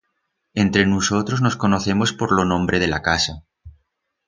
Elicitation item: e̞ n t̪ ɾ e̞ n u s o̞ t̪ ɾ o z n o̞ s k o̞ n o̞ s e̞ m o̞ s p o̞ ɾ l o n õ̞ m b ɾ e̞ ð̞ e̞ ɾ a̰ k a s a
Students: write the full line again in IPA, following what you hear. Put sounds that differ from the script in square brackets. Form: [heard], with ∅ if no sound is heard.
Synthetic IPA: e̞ n t̪ ɾ e̞ n u s o̞ t̪ ɾ o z n o̞ s k o̞ n o̞ [θ] e̞ m o̞ s p o̞ ɾ l o n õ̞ m b ɾ e̞ ð̞ e̞ [l] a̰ k a s a